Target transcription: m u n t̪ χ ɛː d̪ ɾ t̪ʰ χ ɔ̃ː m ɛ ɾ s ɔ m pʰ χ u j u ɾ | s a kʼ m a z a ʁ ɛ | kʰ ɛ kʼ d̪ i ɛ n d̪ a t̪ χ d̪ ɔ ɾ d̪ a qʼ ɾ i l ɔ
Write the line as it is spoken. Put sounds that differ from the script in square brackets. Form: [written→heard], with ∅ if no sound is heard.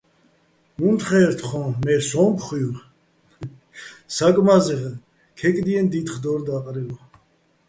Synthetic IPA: m u n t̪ χ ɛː [d̪→∅] ɾ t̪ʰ χ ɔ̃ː m ɛ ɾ s ɔ m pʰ χ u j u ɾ | s a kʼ m a z [a→ɛ] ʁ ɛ | kʰ ɛ kʼ d̪ i ɛ n d̪ [a→i] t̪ χ d̪ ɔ ɾ d̪ a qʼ ɾ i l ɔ